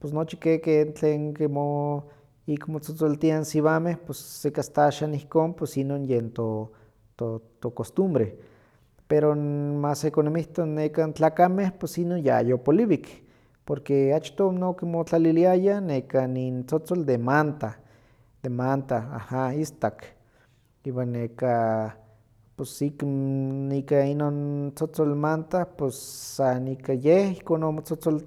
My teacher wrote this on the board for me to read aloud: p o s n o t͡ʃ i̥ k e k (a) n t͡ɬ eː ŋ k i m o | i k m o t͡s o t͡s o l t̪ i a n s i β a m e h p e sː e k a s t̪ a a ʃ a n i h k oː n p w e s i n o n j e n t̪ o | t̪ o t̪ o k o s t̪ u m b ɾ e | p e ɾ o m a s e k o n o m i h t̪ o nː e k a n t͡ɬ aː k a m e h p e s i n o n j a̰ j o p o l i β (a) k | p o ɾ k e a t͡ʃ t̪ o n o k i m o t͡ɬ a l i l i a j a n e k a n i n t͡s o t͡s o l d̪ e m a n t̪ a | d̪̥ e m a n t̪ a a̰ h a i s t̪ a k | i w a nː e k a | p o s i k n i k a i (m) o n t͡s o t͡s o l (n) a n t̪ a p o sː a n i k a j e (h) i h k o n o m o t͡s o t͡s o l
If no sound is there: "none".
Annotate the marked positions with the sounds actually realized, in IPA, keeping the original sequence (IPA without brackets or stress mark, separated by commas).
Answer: e, i, n, m, h